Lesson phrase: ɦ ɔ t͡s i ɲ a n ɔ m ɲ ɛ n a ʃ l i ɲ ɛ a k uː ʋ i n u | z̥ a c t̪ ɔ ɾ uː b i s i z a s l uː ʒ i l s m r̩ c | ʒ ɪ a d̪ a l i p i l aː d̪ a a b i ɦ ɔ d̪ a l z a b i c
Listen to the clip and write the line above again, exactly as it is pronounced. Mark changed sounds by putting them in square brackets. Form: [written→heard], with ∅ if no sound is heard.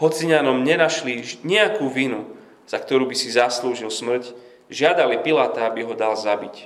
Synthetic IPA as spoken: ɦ ɔ t͡s i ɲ a n ɔ m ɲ ɛ n a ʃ l i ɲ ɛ a k uː ʋ i n u | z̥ a [c→k] t̪ ɔ ɾ uː b i s i z a s l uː ʒ i l s m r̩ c | ʒ ɪ a d̪ a l i p i l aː [d̪→t̪] a a b i ɦ ɔ d̪ a l z a b i c